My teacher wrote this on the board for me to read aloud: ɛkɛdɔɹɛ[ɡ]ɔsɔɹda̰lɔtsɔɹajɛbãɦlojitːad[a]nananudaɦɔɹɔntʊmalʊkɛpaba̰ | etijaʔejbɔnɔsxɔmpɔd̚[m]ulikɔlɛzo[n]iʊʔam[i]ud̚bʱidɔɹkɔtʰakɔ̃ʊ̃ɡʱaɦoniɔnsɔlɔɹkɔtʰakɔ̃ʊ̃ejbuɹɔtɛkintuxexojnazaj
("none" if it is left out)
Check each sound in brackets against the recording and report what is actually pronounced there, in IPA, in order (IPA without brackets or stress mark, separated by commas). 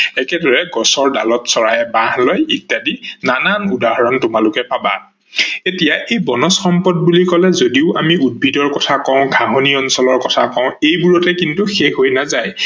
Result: ɡ, i, b, d, i